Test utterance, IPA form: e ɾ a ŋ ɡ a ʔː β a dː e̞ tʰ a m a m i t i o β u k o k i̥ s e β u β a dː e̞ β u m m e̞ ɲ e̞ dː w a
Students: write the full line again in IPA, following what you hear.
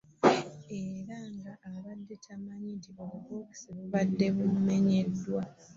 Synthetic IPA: e ɾ a ŋ ɡ a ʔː β a dː e̞ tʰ a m a ɲ i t i o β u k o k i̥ s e β u β a dː e̞ β u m m e̞ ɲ e̞ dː w a